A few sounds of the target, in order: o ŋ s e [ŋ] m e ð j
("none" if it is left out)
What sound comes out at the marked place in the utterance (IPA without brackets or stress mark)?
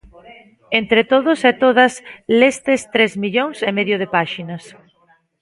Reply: none